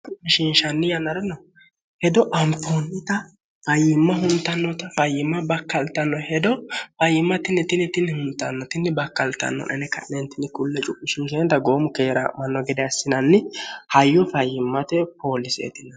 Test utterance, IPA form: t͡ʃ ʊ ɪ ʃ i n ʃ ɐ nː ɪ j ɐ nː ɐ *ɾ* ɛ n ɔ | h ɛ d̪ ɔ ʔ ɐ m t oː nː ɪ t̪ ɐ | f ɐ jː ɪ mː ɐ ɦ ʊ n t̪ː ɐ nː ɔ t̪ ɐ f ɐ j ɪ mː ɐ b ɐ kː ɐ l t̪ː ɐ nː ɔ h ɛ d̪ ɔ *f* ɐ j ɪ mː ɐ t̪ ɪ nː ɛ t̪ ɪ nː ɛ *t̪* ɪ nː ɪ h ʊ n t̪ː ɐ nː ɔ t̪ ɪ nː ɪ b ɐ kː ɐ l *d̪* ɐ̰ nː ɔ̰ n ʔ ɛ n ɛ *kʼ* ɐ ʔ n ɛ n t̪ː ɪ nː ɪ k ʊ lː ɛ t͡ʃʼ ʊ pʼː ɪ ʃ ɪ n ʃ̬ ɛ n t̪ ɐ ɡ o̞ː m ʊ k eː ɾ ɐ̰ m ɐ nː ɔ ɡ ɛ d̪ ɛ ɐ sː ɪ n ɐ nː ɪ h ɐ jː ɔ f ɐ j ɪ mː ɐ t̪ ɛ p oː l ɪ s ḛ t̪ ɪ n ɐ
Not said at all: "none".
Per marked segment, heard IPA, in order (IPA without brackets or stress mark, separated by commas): ɾ, f, t̪, t̪, k